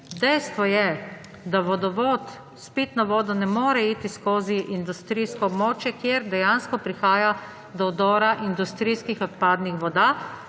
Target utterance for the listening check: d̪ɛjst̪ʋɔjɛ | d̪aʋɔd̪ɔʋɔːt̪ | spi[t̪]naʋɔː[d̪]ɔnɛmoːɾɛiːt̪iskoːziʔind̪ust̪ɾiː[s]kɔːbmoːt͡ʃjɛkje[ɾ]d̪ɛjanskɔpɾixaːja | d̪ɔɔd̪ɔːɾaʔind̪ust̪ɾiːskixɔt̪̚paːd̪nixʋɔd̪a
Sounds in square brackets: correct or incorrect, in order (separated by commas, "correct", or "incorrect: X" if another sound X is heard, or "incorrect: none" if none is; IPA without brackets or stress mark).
correct, correct, correct, correct